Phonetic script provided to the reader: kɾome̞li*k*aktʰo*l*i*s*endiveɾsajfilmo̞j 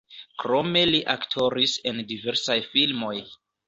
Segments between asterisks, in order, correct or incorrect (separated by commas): incorrect, incorrect, correct